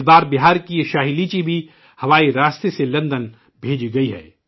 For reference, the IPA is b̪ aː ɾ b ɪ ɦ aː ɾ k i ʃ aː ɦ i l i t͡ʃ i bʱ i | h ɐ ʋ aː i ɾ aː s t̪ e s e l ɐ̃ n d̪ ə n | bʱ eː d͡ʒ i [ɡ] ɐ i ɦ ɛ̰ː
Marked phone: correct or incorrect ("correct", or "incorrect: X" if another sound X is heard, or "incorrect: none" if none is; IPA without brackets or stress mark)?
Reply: correct